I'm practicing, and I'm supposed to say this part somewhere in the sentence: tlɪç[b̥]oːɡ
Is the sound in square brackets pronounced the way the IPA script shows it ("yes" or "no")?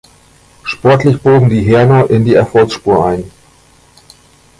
yes